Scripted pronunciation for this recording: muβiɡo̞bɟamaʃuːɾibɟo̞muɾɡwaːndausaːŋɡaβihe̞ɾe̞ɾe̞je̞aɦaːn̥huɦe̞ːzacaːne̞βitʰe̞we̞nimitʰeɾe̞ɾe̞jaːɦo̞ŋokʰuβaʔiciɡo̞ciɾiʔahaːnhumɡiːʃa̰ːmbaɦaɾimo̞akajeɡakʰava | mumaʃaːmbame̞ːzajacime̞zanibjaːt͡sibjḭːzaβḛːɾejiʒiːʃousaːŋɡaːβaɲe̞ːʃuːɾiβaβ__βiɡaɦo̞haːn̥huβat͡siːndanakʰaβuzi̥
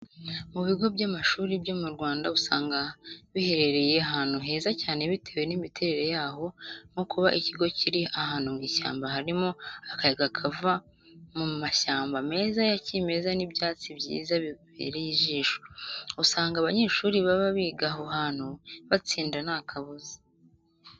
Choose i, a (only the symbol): a